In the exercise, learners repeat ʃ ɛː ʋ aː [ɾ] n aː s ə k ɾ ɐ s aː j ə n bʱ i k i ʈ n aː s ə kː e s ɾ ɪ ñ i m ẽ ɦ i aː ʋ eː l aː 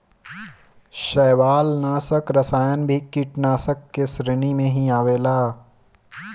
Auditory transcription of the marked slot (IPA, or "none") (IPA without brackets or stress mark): l